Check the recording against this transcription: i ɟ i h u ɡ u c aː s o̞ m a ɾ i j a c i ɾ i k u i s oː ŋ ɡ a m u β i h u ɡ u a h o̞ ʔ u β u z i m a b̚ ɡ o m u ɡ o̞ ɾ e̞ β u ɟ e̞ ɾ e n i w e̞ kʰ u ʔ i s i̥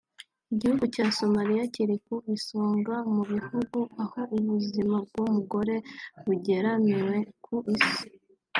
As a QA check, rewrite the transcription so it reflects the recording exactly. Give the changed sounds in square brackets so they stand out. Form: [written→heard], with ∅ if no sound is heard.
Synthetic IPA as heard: i ɟ i h u ɡ u c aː s o̞ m a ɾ i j a c i ɾ i k u i s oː ŋ ɡ a m u β i h u ɡ u a h o̞ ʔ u β u z i m a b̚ ɡ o m u ɡ o̞ ɾ e̞ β u ɟ e̞ ɾ [e→a] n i w e̞ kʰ u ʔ i s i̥